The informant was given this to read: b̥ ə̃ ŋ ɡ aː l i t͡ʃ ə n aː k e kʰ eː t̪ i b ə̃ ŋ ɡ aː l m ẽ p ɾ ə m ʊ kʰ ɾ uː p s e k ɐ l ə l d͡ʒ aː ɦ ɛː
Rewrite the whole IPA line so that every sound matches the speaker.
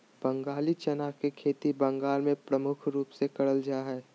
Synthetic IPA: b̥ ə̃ ŋ ɡ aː l i t͡ʃ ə n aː k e kʰ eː t̪ i b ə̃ ŋ ɡ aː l m ẽ p ɾ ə m ʊ kʰ ɾ uː p s e k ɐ ɽ ə l d͡ʒ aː ɦ ɛː